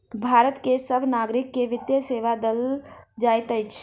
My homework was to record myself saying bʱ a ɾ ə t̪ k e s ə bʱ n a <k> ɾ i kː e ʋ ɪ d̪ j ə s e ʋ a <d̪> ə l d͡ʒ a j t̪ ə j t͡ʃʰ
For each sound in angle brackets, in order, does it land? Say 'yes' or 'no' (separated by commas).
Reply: no, yes